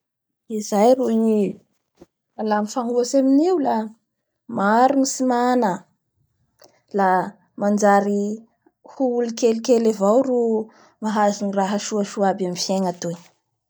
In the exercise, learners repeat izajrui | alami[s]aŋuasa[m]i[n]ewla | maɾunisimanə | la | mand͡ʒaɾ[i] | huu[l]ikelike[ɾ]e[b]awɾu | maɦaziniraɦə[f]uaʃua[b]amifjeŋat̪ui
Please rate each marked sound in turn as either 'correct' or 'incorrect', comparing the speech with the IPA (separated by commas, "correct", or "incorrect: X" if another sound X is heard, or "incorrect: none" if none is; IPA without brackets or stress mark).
incorrect: f, correct, correct, correct, correct, incorrect: l, incorrect: v, incorrect: ʃ, correct